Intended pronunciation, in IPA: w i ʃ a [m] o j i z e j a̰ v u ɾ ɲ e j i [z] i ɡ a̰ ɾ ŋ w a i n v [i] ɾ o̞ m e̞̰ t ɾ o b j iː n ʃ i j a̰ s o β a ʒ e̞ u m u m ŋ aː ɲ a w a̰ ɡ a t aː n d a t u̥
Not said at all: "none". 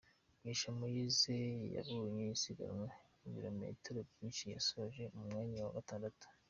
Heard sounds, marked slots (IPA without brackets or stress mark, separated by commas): m, s, i